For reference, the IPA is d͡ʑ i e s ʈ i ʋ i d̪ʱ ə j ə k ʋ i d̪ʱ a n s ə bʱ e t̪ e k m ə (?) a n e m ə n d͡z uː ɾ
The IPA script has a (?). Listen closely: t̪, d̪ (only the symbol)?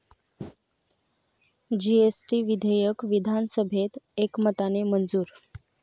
t̪